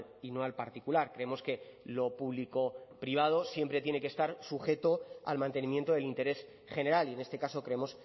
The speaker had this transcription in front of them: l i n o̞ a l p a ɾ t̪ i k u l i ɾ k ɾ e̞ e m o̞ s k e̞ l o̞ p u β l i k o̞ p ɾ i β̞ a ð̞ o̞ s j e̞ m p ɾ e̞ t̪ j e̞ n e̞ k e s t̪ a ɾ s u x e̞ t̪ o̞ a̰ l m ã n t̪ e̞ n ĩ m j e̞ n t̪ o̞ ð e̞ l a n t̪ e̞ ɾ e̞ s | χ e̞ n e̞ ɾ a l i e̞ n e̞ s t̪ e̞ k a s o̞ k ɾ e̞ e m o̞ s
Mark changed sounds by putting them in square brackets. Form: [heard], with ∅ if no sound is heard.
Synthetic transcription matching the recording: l i n o̞ a l p a ɾ t̪ i k u l [a] ɾ k ɾ e̞ e m o̞ s k e̞ l o̞ p u β l i k o̞ p ɾ i β̞ a ð̞ o̞ s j e̞ m p ɾ e̞ t̪ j e̞ n e̞ k e s t̪ a ɾ s u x e̞ t̪ o̞ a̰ l m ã n t̪ e̞ n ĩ m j e̞ n t̪ o̞ ð e̞ l [i] n t̪ e̞ ɾ e̞ s | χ e̞ n e̞ ɾ a l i e̞ n e̞ s t̪ e̞ k a s o̞ k ɾ e̞ e m o̞ s